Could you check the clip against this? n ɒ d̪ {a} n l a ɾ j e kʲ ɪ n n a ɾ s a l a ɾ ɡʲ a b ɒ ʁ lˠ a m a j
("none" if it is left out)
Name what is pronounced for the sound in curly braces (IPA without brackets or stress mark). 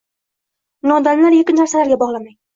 a